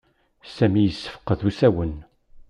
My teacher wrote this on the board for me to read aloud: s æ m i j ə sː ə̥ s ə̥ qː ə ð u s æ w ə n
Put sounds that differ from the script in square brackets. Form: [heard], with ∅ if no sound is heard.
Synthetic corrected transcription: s æ m i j ə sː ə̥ [f] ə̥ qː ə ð u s æ w ə n